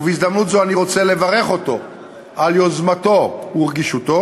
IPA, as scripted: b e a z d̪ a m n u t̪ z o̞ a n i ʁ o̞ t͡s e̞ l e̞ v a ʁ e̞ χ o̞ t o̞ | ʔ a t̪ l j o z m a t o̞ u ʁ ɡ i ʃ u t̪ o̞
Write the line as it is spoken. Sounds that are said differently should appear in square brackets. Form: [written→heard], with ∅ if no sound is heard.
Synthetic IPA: [b→v] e [a→i] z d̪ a m n u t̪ z o̞ a n i ʁ o̞ t͡s e̞ l e̞ v a ʁ e̞ χ o̞ t o̞ | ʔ a [t̪→∅] l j o z m a t o̞ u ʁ ɡ i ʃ u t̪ o̞

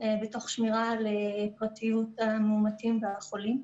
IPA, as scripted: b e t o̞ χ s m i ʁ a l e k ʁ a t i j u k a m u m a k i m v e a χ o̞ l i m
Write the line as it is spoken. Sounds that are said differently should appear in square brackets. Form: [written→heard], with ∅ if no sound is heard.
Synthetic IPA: b e t o̞ χ [s→ʃ] m i ʁ a l e [k→p] ʁ a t i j u [k→t] a m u m a [k→t] i m v e a χ o̞ l i m

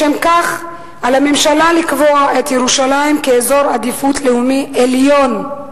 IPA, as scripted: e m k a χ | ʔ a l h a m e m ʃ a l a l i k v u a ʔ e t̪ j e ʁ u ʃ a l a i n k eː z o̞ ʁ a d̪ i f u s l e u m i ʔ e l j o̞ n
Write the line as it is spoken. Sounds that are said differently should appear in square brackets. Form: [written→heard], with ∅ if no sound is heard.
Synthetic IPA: e m k a χ | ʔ a l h a m e m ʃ a l a l i k v [u→o] a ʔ e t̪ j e ʁ u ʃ a l a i [n→m] k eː z o̞ ʁ a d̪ i f u [s→t] l e u m i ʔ e l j o̞ n

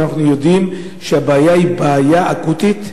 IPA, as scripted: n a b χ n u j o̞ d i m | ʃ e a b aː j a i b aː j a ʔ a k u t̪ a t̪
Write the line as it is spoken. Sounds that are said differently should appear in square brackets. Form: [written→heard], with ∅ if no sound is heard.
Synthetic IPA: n a [b→∅] χ n u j o̞ d i m | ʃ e a b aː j a i b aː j a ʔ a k u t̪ [a→i] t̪

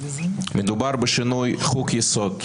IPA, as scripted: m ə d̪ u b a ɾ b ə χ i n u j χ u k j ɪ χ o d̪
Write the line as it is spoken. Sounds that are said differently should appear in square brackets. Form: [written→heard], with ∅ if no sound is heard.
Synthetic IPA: m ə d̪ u b a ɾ b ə [χ→ʃ] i n u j χ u k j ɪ [χ→s] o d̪

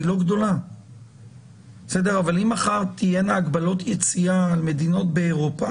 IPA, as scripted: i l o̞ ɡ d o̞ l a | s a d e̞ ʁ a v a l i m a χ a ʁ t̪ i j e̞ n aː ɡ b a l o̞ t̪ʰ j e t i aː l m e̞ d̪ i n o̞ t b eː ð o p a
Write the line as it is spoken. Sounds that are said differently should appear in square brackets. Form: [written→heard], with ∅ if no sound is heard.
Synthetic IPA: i l o̞ ɡ d o̞ l a | s [a→e] d e̞ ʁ a v a l i m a χ a ʁ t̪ i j e̞ n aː ɡ b a l o̞ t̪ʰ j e [t→t͡s] i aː l m e̞ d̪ i n o̞ t b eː [ð→ʁ] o p a

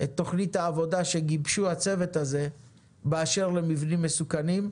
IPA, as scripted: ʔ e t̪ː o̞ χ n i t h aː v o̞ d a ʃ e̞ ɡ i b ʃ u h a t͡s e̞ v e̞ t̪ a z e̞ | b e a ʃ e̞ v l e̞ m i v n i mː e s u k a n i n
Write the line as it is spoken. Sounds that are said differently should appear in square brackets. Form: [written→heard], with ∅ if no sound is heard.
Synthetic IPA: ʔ e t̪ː o̞ χ n i t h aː v o̞ d a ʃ e̞ ɡ i b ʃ u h a t͡s e̞ v e̞ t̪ a z e̞ | b e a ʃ e̞ [v→ʁ] l e̞ m i v n i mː e s u k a n i [n→m]

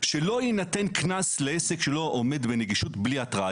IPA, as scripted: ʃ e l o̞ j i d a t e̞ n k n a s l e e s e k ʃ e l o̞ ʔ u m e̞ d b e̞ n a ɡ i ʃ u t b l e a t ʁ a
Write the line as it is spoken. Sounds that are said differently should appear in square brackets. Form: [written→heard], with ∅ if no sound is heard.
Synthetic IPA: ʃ e l o̞ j i [d→n] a t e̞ n k n a s l e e s e k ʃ e l o̞ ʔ [u→o] m e̞ d b e̞ n [a→e] ɡ i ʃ u t b l [e→i] a t ʁ a

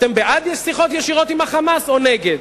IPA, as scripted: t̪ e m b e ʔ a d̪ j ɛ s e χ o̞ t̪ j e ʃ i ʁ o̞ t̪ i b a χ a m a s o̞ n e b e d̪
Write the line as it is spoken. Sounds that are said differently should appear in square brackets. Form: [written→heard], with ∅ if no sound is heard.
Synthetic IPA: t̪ e m b e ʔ a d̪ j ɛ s [e→i] χ o̞ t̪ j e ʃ i ʁ o̞ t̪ i [b→m] a χ a m a s o̞ n e [b→ɡ] e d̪

